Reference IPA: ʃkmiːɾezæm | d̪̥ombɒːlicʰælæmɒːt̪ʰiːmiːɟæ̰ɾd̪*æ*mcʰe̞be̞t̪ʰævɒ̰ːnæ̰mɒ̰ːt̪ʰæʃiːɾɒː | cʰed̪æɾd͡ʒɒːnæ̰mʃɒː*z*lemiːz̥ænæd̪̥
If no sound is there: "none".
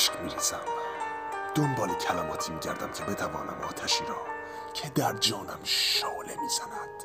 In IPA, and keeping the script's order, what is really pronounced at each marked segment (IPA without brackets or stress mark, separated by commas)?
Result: æ, none